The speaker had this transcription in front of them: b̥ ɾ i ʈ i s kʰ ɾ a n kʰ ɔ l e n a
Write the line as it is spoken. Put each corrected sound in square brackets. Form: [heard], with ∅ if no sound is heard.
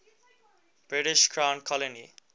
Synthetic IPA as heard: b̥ ɾ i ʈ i [ʃ] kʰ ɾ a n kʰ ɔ l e n [i]